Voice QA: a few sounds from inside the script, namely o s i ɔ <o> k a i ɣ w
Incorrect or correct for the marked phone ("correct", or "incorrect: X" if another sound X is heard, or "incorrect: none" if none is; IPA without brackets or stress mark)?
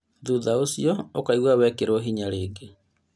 correct